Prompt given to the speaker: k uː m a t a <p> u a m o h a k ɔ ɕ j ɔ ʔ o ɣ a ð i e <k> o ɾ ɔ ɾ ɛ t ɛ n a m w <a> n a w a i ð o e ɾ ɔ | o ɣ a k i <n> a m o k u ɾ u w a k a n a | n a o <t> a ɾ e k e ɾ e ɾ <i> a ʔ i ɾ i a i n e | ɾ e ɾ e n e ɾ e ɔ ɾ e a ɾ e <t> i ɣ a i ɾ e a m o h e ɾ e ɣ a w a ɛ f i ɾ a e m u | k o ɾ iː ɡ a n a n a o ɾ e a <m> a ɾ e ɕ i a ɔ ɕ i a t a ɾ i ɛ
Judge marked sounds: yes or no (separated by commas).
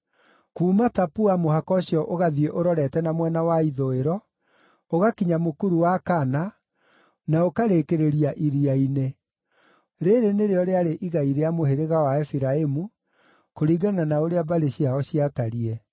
yes, no, no, no, no, yes, no, no